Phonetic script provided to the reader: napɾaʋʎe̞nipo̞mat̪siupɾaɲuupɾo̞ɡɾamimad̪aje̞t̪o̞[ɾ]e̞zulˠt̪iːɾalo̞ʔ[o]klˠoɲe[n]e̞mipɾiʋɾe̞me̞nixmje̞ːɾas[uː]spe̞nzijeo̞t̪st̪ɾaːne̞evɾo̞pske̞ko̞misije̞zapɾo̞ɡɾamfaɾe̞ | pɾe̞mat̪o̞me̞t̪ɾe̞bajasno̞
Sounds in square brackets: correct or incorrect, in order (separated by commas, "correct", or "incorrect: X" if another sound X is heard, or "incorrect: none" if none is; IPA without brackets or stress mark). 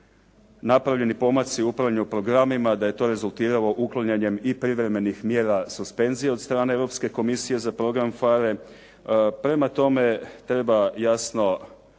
correct, incorrect: u, incorrect: ɲ, incorrect: u